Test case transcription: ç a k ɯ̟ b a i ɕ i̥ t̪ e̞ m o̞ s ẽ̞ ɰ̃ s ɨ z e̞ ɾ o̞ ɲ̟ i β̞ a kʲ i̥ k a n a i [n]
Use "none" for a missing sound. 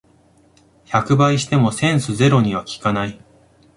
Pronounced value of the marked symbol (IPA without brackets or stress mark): none